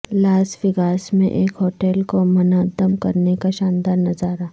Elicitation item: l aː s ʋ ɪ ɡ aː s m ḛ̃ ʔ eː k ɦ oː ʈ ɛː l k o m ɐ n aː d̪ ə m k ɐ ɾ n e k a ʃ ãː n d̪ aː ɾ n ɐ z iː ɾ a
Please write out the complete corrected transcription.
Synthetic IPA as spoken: l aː s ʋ ɪ ɡ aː s m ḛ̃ ʔ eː k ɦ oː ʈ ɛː l k o m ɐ n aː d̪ ə m k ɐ ɾ n e k a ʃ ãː n d̪ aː ɾ n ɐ z aː ɾ a